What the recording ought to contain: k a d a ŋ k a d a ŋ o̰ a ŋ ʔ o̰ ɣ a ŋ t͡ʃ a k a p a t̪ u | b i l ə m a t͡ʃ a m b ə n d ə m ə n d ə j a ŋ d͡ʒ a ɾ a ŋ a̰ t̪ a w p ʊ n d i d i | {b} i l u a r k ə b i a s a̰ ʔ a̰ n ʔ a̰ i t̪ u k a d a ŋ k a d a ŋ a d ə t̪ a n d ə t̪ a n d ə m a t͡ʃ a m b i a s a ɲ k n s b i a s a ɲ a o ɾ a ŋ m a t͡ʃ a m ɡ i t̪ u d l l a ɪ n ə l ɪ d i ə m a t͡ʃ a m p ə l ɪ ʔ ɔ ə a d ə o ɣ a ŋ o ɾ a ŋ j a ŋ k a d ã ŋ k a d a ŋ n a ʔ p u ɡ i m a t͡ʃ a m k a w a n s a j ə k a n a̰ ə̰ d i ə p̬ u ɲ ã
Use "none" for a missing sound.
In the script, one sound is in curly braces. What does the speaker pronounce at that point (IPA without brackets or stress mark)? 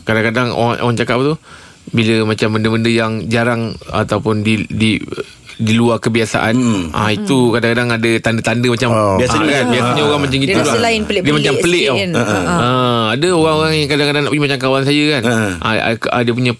d